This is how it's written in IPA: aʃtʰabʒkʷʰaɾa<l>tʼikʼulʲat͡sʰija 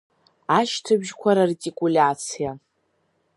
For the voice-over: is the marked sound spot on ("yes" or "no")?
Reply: no